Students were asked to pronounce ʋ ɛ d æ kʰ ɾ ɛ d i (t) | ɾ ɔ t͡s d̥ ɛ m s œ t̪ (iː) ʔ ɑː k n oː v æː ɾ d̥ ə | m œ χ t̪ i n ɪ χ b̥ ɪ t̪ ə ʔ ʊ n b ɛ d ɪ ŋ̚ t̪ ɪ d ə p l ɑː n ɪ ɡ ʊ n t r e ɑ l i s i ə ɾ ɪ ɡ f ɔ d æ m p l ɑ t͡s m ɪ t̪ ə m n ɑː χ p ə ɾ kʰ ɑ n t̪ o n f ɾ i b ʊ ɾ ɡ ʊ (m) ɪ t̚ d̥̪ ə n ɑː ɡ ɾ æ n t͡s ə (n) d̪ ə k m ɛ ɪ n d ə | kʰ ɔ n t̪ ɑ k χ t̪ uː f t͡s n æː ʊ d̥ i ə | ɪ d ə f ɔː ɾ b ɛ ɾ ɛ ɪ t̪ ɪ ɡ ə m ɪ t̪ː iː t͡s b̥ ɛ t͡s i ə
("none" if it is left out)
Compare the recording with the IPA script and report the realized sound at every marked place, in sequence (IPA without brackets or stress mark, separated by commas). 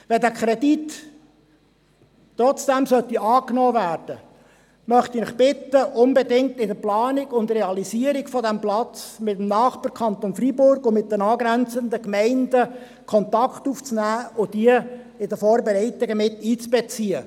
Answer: t, i, m, n